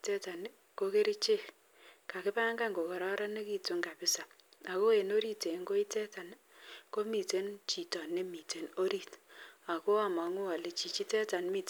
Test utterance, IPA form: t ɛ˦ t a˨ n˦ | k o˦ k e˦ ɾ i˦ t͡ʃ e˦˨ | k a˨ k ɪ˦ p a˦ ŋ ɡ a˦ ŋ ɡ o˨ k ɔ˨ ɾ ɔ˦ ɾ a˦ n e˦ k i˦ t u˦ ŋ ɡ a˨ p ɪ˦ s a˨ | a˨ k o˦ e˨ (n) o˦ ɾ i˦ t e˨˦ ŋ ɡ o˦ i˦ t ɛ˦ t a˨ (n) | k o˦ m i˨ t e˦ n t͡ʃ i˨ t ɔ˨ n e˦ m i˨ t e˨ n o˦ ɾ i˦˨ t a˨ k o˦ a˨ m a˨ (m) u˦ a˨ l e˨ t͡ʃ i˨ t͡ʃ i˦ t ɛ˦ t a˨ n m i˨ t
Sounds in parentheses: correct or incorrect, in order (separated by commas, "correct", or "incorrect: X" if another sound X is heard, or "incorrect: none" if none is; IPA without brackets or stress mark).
correct, correct, incorrect: ŋ